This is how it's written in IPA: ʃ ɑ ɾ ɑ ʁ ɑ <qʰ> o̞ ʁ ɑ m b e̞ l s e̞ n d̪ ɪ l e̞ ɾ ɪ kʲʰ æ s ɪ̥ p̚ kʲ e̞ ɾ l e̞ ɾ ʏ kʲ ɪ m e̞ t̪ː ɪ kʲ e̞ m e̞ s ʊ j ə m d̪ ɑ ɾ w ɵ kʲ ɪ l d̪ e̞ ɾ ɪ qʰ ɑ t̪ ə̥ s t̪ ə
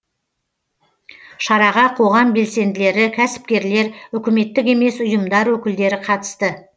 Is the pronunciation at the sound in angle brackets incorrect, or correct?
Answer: correct